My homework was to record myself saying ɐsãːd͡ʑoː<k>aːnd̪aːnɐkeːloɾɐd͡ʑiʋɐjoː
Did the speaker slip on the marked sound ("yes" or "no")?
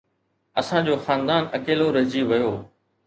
yes